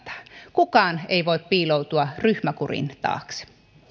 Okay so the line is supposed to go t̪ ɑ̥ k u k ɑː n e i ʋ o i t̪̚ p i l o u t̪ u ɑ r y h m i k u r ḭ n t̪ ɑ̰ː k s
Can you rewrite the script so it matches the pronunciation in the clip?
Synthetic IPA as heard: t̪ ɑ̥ k u k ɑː n e i ʋ o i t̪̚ p iː l o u t̪ u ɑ r y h m æ k u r ḭ n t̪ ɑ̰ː k s